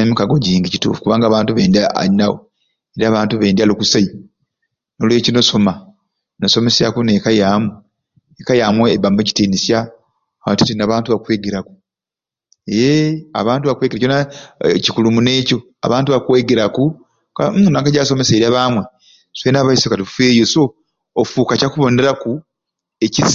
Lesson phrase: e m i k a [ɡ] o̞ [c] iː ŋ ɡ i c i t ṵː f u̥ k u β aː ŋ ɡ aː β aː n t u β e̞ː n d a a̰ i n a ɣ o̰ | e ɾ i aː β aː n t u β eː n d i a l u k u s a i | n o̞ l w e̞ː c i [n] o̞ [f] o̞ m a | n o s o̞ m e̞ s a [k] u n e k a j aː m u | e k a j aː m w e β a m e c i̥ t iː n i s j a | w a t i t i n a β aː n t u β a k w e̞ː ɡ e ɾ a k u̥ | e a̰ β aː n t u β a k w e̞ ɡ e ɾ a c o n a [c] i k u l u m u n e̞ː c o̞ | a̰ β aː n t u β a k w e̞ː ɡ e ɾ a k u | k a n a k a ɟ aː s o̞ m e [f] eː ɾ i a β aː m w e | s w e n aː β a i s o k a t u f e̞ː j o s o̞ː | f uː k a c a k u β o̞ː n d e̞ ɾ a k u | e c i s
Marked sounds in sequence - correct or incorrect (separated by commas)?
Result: correct, incorrect, correct, incorrect, correct, correct, incorrect